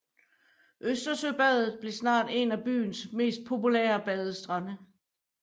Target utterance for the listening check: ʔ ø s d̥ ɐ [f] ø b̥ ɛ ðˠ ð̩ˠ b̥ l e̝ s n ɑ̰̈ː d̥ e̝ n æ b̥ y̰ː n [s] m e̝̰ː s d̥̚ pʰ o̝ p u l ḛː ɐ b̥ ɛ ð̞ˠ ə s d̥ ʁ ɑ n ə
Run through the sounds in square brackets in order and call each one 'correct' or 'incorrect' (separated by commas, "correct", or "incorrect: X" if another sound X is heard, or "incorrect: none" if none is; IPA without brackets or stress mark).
incorrect: s, correct